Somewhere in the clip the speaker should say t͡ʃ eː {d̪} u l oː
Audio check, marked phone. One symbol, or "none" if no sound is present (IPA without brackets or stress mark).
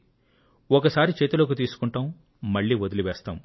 t̪